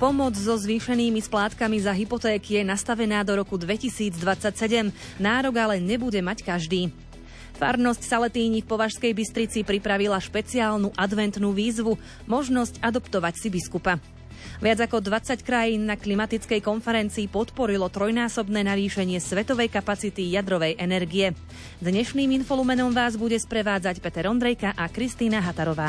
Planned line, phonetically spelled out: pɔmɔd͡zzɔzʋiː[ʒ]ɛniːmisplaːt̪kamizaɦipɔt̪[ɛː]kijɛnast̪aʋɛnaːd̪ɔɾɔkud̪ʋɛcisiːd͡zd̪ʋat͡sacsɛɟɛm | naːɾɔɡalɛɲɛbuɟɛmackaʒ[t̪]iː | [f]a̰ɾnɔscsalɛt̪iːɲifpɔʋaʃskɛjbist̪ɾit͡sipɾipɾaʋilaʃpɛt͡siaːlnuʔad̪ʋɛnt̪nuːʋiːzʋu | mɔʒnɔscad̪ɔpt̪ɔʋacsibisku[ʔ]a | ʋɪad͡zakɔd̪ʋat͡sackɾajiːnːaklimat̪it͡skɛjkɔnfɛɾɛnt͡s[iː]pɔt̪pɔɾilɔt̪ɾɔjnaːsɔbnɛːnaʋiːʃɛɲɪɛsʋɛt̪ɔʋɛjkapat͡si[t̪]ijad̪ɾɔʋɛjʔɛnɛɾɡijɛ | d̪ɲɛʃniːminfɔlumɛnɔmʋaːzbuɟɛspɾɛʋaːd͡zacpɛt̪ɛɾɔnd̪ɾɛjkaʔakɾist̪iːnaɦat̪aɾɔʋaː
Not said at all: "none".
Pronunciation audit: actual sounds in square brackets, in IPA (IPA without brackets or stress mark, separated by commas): ʃ, ɛː, d̪, f, p, iː, t̪